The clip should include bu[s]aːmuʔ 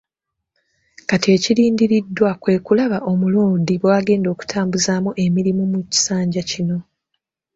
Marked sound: incorrect: z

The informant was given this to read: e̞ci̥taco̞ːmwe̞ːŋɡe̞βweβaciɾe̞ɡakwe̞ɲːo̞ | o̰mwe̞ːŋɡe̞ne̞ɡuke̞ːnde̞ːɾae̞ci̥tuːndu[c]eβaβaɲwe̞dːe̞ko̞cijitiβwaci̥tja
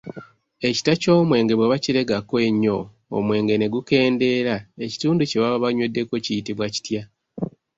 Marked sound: correct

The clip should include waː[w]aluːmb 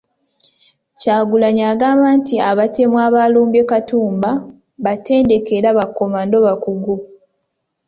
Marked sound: incorrect: β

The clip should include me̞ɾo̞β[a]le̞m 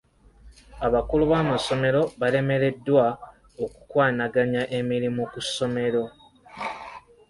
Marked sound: correct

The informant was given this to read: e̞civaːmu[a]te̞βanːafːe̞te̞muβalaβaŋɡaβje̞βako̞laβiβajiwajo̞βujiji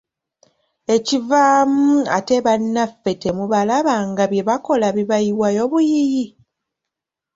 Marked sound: correct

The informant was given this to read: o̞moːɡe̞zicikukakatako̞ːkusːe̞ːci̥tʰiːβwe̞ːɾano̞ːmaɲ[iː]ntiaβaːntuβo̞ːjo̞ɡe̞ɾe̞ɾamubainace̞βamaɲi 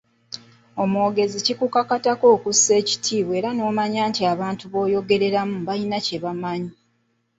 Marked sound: incorrect: aː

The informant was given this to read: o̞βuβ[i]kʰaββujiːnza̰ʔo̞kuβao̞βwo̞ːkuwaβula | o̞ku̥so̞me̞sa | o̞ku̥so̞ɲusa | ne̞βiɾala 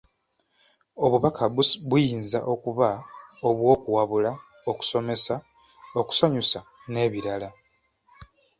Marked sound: incorrect: a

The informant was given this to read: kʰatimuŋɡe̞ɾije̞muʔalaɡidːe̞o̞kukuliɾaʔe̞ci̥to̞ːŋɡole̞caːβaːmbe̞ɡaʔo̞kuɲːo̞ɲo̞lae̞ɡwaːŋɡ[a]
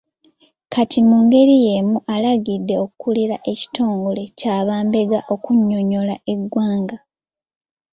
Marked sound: correct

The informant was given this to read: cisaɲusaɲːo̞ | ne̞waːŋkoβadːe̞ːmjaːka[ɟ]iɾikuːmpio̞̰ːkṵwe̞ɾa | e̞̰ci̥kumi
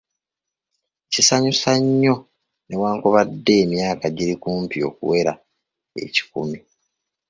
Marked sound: correct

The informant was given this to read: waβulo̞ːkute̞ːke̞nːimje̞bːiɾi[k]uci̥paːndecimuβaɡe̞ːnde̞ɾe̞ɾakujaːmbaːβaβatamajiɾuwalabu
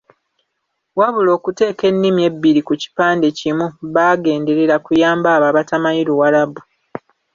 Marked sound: correct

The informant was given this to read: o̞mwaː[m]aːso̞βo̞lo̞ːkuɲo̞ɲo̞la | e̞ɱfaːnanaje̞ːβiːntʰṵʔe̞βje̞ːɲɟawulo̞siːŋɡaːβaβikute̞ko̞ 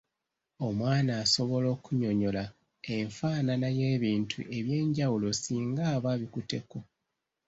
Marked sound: incorrect: n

